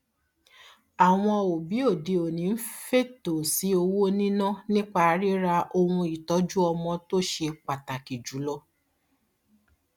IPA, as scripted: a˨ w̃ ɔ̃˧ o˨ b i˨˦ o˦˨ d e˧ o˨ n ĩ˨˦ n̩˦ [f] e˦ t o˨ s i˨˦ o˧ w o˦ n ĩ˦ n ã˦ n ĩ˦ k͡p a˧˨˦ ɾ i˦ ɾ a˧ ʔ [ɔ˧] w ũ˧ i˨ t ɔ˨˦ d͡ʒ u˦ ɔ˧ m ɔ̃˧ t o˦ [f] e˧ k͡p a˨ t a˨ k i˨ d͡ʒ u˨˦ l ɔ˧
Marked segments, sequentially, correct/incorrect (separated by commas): correct, incorrect, incorrect